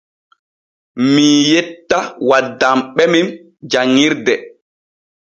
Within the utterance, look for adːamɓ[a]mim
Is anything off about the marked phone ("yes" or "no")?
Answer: yes